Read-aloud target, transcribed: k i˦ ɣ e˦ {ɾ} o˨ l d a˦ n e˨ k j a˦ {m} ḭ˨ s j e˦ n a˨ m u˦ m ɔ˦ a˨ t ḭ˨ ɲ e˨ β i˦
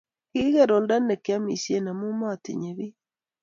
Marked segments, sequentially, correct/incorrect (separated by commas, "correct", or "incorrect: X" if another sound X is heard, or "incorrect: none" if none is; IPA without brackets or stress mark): correct, correct